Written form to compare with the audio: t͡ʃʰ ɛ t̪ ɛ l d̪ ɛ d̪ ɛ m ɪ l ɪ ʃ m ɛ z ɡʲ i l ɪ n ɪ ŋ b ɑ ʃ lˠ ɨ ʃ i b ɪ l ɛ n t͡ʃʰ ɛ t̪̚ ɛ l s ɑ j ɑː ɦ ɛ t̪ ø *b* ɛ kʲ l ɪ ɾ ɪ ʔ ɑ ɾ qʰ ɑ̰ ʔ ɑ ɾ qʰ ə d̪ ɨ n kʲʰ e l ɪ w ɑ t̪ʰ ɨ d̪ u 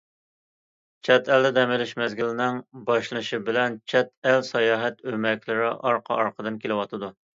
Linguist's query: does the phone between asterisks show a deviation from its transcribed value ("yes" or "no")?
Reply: yes